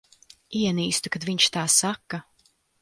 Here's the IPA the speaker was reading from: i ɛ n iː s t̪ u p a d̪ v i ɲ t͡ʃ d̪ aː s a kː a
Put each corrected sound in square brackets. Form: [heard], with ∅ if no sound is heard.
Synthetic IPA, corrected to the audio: i ɛ n iː s t̪ u [k] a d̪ v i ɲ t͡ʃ [t̪] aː s a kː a